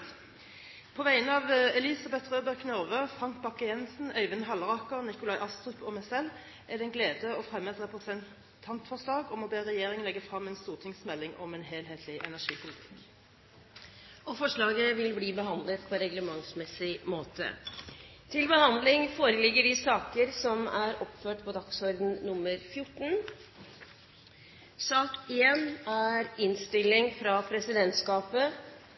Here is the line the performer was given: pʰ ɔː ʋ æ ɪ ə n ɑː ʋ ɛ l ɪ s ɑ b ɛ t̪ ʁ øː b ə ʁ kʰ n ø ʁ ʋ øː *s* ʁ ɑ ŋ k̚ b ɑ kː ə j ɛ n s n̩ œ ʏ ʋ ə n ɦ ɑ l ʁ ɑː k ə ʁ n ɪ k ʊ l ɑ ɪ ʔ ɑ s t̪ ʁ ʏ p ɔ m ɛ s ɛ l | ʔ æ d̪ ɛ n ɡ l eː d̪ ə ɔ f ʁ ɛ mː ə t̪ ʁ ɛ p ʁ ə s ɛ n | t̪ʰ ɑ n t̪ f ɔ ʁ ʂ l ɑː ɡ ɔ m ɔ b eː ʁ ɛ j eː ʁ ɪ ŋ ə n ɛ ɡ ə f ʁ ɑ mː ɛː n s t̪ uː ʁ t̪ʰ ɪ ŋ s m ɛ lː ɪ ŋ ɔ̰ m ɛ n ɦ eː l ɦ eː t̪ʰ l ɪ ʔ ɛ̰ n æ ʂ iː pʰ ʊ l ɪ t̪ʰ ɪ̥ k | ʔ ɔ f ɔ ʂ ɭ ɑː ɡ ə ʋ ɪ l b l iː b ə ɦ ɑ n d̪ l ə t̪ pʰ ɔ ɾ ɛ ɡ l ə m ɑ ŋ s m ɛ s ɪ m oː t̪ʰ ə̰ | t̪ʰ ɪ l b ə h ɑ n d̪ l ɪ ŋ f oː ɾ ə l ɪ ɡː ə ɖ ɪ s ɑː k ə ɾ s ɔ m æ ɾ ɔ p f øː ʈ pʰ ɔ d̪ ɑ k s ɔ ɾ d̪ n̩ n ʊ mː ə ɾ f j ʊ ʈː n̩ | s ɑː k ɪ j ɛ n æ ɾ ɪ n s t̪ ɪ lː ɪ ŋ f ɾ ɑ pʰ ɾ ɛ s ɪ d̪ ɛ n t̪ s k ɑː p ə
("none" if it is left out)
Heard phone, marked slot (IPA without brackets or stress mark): f